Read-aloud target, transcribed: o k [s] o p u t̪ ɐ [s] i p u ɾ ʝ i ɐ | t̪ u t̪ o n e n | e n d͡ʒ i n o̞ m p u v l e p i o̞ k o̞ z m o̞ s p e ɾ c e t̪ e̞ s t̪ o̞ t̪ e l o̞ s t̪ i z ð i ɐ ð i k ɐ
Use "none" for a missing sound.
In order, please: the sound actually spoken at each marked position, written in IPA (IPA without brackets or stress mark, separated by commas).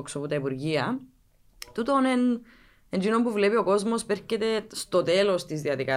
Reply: s, none